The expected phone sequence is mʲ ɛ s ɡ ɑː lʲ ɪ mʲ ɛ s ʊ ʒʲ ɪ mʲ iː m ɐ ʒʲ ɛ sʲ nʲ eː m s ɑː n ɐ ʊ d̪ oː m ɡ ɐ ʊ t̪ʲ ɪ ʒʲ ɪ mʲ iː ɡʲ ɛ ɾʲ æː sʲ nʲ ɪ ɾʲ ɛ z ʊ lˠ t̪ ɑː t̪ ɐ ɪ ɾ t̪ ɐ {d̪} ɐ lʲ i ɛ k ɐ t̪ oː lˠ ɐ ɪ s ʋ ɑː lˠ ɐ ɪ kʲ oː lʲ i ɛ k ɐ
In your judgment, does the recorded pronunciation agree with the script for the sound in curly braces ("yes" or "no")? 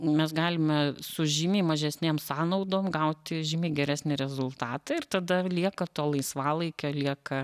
yes